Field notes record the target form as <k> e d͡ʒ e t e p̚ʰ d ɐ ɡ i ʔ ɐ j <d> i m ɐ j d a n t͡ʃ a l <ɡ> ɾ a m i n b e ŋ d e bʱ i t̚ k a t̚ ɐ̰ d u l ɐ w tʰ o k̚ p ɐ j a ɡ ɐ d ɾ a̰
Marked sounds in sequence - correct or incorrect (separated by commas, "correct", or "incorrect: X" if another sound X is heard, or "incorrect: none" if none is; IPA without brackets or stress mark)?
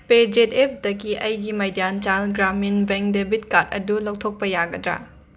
incorrect: p, incorrect: ɡ, correct